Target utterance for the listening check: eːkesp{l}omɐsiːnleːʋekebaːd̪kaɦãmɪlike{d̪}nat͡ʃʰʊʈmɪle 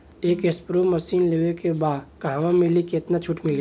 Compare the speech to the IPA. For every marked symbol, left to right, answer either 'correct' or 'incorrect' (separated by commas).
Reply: incorrect, incorrect